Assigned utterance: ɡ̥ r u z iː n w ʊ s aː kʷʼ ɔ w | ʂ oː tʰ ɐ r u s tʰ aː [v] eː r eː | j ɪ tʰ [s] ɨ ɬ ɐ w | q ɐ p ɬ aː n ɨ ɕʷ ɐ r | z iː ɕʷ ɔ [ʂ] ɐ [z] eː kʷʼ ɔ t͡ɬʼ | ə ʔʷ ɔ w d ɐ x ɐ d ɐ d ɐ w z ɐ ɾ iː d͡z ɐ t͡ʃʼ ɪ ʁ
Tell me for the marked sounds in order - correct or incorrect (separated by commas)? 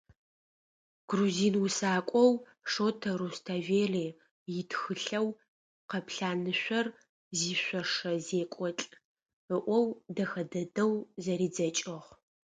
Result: correct, incorrect, correct, correct